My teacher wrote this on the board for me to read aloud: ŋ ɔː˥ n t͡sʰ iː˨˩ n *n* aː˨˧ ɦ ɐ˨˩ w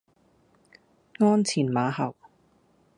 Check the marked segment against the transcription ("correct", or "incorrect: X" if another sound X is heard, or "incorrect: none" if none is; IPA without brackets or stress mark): incorrect: m